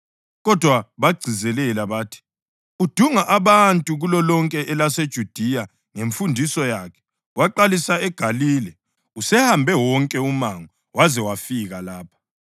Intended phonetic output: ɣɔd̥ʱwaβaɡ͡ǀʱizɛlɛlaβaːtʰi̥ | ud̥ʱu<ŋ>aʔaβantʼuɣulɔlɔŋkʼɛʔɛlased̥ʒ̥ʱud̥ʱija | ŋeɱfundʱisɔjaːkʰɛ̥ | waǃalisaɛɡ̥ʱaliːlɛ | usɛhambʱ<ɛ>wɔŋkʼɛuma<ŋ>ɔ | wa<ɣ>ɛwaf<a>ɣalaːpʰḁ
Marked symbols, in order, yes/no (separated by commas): yes, yes, yes, no, no